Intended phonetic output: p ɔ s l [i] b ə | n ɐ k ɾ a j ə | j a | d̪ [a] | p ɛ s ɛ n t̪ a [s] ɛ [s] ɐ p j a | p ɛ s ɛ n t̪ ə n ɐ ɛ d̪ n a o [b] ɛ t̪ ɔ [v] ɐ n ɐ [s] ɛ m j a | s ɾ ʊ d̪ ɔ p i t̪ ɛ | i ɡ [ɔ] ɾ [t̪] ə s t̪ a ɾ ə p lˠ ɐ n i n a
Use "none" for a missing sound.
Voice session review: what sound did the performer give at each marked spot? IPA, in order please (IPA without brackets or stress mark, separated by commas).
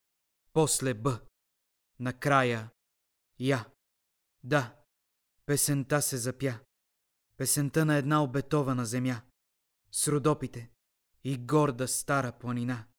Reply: ɛ, a, s, z, b, v, z, ɔ, d̪